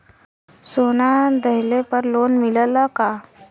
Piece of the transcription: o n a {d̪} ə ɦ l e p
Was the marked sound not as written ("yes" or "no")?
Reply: no